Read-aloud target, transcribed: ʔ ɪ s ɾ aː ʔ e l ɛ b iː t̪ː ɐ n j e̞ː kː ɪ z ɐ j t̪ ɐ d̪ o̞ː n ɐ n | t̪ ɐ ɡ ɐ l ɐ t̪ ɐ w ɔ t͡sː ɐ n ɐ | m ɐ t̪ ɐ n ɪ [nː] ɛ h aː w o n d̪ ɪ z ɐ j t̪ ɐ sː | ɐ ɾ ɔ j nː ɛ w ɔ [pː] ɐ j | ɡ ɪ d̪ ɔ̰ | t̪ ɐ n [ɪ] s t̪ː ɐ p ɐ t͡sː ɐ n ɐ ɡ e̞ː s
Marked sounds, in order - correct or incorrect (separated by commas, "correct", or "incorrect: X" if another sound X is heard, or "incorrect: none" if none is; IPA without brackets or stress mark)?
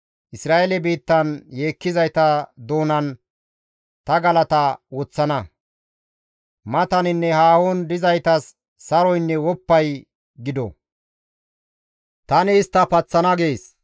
correct, correct, incorrect: ɪː